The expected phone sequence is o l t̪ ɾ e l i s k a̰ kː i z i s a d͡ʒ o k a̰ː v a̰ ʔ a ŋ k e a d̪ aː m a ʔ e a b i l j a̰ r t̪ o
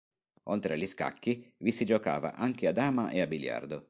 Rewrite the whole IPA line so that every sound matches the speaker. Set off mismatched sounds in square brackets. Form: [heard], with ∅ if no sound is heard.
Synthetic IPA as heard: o l t̪ ɾ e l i s k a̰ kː i [v] i s [i] d͡ʒ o k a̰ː v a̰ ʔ a ŋ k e a d̪ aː m a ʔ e a b i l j a̰ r [d̪] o